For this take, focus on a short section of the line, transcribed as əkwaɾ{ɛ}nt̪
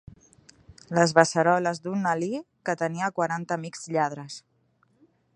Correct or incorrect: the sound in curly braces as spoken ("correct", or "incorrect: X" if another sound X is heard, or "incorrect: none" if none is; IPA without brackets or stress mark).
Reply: incorrect: a